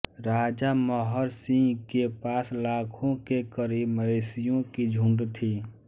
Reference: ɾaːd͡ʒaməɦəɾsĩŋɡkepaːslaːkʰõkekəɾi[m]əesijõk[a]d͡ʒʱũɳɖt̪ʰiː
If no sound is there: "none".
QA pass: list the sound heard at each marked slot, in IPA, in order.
m, i

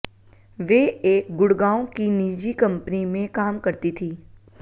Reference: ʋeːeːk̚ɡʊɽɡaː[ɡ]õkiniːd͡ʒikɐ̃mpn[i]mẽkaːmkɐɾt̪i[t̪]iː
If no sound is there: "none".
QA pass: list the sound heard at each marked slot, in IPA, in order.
none, i, t̪ʰ

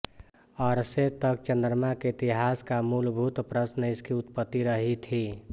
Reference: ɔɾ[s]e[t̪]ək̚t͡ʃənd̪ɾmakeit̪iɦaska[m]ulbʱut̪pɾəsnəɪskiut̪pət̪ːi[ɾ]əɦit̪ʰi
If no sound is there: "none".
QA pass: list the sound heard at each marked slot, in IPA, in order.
s, t̪, m, ɾ

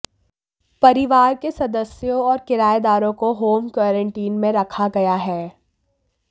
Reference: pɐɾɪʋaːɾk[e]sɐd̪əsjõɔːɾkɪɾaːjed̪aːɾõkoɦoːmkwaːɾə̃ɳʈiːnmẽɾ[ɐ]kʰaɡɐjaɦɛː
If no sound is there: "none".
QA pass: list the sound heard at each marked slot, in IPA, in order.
e, ɐ

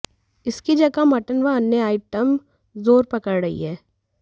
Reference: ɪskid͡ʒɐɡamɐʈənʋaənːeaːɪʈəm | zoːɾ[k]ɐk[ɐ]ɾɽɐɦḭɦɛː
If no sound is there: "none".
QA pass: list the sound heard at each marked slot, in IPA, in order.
p, ə

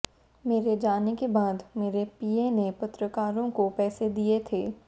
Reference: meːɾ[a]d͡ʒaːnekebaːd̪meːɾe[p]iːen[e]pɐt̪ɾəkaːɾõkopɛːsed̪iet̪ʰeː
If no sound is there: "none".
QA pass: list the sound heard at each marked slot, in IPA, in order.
e, p, e

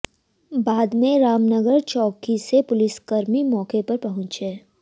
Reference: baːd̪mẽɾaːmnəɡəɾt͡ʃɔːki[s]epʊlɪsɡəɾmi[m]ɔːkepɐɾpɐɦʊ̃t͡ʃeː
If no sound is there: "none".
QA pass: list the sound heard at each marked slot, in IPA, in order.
s, m

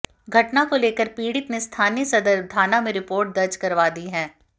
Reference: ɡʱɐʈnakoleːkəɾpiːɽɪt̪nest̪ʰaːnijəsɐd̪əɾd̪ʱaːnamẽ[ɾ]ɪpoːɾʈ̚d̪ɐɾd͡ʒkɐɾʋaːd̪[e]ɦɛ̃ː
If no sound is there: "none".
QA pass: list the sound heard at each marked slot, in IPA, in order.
ɾ, i

